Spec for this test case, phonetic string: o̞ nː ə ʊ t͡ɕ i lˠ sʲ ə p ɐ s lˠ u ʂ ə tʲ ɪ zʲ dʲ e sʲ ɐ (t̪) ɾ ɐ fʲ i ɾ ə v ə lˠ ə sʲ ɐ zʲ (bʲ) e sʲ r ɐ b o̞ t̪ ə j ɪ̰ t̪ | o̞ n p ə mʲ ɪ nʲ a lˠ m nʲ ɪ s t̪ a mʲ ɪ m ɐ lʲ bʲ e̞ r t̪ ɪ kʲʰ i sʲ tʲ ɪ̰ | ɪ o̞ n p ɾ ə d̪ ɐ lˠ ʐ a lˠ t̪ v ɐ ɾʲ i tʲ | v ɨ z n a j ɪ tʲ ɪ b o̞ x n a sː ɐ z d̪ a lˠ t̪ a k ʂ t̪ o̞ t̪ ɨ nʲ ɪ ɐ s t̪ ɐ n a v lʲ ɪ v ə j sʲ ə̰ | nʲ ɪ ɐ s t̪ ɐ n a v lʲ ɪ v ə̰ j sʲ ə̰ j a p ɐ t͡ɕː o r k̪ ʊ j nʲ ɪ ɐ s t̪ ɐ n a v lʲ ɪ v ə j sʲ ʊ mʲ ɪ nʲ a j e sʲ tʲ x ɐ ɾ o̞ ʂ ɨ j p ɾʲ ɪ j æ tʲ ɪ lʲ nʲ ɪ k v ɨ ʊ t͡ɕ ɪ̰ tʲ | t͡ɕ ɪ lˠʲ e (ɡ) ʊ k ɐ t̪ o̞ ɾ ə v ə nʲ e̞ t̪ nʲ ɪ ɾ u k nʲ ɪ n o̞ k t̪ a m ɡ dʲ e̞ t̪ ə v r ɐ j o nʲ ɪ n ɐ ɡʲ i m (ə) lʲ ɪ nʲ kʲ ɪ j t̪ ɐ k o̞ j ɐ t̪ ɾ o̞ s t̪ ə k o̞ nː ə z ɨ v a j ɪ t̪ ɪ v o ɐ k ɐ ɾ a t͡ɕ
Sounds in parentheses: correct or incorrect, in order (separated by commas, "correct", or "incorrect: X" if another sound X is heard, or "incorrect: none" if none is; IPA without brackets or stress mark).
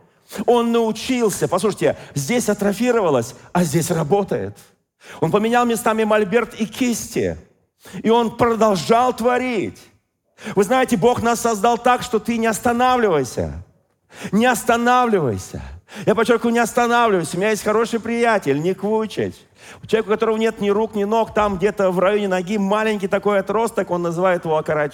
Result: correct, incorrect: dʲ, incorrect: k, incorrect: a